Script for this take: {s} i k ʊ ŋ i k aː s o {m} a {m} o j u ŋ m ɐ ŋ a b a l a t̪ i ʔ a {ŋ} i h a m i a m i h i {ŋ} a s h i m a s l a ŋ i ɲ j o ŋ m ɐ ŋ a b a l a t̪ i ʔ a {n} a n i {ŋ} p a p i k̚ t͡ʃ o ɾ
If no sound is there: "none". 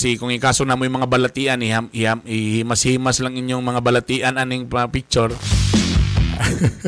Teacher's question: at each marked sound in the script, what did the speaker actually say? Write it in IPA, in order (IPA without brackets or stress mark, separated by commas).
s, n, m, n, m, n, ŋ